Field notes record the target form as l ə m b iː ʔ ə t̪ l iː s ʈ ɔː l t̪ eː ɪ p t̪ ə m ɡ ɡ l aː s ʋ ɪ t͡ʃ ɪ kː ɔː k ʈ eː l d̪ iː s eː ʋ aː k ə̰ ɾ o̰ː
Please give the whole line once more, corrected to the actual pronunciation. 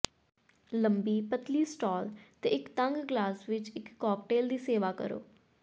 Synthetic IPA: l ə m b iː p ə t̪ l iː s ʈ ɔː l t̪ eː ɪ k t̪ ə ŋ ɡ ɡ l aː s ʋ ɪ t͡ʃ ɪ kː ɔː k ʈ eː l d̪ iː s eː ʋ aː k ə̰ ɾ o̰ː

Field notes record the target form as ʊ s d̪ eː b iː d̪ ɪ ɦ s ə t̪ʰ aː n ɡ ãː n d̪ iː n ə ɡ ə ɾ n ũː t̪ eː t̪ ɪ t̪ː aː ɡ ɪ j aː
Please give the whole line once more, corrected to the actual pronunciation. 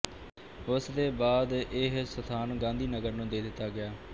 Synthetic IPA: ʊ s d̪ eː b aː d̪ ɪ ɦ s ə t̪ʰ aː n ɡ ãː n d̪ iː n ə ɡ ə ɾ n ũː d̪ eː d̪ ɪ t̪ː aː ɡ ɪ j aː

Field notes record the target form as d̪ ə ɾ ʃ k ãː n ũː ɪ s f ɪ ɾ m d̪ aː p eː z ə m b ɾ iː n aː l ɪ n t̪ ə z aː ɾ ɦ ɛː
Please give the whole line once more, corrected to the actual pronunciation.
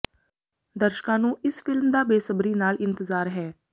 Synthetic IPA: d̪ ə ɾ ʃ k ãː n ũː ɪ s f ɪ l m d̪ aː b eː s ə b ɾ iː n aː l ɪ n t̪ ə z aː ɾ ɦ ɛː

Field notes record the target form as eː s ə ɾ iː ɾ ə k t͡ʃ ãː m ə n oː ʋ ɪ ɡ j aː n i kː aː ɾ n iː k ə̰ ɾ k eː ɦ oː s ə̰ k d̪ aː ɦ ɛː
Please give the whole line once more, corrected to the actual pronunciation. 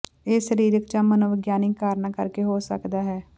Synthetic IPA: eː s ə ɾ iː ɾ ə k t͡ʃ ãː m ə n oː ʋ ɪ ɡ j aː n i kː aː ɾ n aː k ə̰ ɾ k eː ɦ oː s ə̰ k d̪ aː ɦ ɛː

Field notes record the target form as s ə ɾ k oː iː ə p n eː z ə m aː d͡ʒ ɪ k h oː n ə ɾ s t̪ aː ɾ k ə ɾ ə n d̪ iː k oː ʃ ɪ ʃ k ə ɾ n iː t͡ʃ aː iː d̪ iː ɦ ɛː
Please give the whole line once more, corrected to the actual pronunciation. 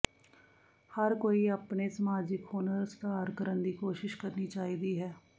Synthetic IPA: h ə ɾ k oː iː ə p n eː s ə m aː d͡ʒ ɪ k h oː n ə ɾ s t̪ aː ɾ k ə ɾ ə n d̪ iː k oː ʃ ɪ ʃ k ə ɾ n iː t͡ʃ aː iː d̪ iː ɦ ɛː

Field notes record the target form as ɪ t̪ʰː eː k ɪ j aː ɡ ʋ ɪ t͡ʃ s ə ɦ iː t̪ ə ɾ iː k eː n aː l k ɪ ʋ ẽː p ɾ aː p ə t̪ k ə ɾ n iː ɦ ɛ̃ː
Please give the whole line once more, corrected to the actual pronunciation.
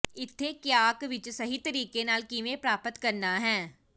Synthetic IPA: ɪ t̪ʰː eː k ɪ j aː k ʋ ɪ t͡ʃ s ə ɦ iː t̪ ə ɾ iː k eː n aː l k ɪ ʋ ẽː p ɾ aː p ə t̪ k ə ɾ n aː ɦ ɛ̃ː

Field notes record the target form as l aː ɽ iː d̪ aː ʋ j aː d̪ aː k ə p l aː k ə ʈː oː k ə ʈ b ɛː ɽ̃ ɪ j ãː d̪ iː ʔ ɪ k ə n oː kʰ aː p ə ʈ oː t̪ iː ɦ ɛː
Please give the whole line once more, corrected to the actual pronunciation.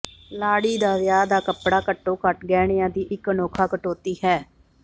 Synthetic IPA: l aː ɽ iː d̪ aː ʋ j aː d̪ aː k ə p ɽ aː k ə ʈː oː k ə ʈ ɡ ɛː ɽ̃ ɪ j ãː d̪ iː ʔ ɪ k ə n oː kʰ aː k ə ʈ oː t̪ iː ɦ ɛː

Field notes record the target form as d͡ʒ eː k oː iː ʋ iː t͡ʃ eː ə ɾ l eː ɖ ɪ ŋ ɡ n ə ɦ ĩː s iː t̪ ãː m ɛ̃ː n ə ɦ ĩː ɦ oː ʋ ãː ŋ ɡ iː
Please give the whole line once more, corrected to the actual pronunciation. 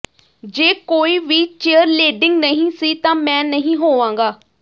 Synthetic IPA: d͡ʒ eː k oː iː ʋ iː t͡ʃ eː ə ɾ l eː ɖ ɪ ŋ ɡ n ə ɦ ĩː s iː t̪ ãː m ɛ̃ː n ə ɦ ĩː ɦ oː ʋ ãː ŋ ɡ aː

